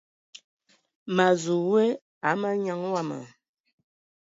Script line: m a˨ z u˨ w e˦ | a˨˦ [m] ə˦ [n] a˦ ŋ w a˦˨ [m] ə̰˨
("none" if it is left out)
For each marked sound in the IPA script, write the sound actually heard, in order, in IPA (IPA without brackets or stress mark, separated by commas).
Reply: m, ɲ, m